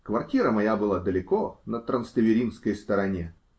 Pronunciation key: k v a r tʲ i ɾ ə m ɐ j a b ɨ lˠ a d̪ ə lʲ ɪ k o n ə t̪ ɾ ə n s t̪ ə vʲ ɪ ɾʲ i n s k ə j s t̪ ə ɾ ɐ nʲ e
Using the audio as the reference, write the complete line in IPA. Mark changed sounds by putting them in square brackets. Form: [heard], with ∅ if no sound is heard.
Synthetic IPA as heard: k v [ɐ] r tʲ i ɾ ə m ɐ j a b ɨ lˠ a d̪ ə lʲ ɪ k o n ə t̪ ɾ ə n s t̪ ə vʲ ɪ ɾʲ i n s k ə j s t̪ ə ɾ ɐ nʲ e